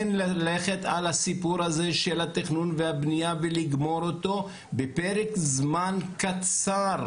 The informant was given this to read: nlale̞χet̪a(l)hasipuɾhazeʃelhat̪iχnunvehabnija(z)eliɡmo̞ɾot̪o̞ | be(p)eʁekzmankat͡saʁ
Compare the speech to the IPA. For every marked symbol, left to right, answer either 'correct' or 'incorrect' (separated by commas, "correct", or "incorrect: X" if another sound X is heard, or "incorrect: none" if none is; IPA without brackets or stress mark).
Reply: correct, incorrect: v, correct